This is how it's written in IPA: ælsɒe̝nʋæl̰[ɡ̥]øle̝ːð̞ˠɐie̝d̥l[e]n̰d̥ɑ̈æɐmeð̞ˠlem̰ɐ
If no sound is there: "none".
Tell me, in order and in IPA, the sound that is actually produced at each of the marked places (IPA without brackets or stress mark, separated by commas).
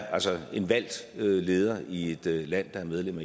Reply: d̥, æ